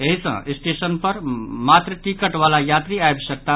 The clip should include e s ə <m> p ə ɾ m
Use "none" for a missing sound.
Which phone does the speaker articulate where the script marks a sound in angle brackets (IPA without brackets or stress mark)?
n